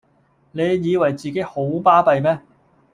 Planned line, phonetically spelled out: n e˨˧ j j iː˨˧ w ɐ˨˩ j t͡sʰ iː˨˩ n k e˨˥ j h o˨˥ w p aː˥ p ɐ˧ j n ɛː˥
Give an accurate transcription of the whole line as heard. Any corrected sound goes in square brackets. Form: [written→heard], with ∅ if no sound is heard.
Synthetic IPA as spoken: n e˨˧ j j iː˨˧ w ɐ˨˩ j [t͡sʰ→t͡s] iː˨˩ [n→∅] k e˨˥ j h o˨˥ w p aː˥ p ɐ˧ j [n→m] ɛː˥